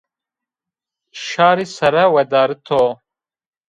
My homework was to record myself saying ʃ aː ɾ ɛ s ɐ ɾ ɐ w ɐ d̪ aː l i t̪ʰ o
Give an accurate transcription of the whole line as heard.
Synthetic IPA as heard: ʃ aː ɾ i s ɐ ɾ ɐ w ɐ d̪ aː ɾ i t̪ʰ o